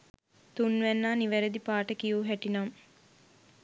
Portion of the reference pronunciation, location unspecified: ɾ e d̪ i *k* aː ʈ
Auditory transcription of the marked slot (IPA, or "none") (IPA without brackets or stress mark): p